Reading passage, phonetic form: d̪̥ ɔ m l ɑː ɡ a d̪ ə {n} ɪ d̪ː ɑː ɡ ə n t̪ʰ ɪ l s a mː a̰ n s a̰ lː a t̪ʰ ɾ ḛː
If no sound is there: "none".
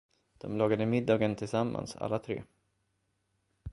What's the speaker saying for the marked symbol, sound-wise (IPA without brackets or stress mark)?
m